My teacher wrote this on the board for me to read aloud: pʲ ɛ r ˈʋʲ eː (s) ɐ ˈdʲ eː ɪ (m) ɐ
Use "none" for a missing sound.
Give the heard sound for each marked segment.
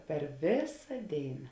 s, n

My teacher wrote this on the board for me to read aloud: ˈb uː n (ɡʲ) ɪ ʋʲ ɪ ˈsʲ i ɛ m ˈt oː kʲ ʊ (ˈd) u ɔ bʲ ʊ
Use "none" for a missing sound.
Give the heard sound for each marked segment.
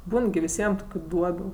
ɡʲ, d

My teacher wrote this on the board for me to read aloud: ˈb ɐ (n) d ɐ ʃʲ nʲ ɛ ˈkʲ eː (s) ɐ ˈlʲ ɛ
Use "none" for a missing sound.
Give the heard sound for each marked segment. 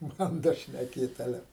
n, t

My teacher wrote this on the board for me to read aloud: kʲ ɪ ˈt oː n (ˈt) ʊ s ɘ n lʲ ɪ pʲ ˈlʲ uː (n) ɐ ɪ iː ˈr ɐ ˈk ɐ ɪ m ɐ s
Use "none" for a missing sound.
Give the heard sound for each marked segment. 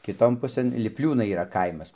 p, n

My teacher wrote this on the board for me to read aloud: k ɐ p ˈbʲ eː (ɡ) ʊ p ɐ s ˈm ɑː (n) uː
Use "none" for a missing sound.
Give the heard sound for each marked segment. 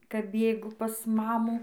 ɡ, m

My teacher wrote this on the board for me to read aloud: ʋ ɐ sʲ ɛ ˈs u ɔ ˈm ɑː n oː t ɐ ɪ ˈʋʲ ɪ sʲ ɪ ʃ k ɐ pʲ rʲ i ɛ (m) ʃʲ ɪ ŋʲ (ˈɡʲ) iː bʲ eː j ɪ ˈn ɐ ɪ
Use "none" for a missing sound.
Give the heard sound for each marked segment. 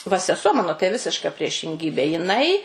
none, ɡʲ

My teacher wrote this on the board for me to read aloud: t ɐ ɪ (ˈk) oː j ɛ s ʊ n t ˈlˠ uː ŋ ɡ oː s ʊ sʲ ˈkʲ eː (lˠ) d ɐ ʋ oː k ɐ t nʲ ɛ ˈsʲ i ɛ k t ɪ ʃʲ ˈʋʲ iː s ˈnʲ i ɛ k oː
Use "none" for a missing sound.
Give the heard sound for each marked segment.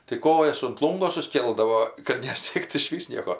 k, lˠ

